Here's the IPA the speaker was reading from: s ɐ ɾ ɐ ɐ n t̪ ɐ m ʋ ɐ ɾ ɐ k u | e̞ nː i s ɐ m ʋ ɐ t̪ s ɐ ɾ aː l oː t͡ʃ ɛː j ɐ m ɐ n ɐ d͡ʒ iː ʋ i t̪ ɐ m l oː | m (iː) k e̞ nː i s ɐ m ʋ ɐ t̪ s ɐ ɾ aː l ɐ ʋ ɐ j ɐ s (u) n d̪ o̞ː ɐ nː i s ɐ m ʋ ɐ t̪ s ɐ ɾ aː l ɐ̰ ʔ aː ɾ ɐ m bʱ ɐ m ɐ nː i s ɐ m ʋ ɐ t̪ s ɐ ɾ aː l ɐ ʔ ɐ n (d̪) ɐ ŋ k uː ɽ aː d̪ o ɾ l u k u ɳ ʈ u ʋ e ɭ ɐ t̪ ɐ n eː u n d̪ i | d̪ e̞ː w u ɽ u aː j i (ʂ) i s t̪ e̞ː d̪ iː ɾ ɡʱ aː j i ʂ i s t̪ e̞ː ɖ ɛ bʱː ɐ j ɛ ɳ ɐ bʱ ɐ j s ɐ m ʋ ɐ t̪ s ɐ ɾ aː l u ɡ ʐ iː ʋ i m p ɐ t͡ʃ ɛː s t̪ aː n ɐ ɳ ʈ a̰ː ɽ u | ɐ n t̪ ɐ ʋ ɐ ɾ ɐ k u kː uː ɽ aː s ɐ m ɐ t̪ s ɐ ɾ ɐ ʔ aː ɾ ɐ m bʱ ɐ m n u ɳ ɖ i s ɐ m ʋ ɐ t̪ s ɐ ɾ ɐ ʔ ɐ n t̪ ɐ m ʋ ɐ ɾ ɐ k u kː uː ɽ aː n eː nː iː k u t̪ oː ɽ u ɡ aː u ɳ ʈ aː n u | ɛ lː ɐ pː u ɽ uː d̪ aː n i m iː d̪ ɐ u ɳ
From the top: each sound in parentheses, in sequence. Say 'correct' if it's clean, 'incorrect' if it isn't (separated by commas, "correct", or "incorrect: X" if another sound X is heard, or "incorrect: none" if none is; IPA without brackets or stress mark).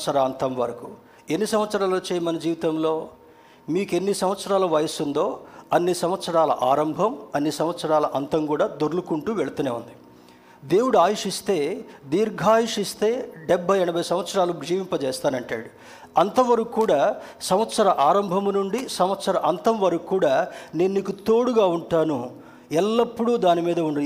correct, correct, incorrect: t̪, correct